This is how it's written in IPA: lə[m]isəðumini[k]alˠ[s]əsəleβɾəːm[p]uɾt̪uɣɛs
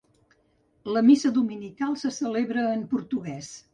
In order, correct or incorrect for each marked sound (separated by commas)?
correct, correct, correct, correct